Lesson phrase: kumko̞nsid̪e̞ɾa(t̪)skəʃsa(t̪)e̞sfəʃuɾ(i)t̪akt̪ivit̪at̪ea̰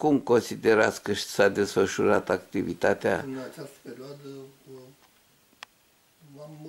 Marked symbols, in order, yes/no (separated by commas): yes, no, no